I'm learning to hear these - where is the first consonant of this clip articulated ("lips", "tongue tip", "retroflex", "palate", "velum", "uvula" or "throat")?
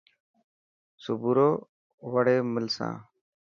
tongue tip